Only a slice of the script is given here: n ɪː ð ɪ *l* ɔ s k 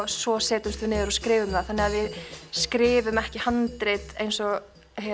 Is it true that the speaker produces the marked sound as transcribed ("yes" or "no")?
no